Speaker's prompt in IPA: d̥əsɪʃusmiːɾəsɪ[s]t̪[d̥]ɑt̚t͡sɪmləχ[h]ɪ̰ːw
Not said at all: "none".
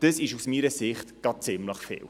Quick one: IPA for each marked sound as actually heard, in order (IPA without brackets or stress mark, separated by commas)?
χ, ɡ̥, f